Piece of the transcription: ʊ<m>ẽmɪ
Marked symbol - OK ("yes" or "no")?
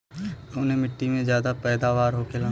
no